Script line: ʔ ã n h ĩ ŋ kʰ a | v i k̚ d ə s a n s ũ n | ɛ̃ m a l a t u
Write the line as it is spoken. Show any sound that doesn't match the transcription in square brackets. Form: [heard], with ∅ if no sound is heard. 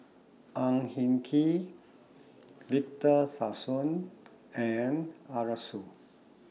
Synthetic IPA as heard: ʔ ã [ŋ] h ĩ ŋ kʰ [i] | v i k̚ [t] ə s a [∅] s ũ n | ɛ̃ [n] a [ɹ] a [s] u